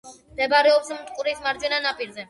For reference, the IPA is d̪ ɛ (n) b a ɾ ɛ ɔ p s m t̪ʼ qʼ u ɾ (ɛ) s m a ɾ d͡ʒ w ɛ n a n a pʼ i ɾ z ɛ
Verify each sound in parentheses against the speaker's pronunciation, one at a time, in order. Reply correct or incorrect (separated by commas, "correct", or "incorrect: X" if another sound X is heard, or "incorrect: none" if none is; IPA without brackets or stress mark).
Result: incorrect: none, incorrect: i